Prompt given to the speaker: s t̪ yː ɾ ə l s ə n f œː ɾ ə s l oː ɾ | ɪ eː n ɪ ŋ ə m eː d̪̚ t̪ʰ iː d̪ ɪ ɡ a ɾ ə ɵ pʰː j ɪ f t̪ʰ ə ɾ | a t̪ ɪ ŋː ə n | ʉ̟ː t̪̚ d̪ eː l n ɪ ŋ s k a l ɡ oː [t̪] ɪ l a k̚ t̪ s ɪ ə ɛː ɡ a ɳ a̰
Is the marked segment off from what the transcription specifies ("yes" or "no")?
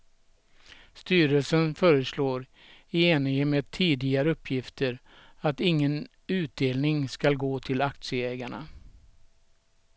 yes